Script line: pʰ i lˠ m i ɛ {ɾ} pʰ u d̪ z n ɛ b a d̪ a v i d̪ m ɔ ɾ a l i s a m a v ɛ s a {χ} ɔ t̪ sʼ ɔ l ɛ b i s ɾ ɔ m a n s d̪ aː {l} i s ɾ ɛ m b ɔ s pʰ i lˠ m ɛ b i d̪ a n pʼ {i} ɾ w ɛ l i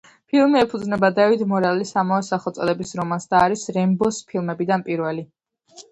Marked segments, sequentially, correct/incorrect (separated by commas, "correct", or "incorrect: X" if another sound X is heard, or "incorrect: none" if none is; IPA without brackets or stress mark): incorrect: none, correct, incorrect: ɾ, correct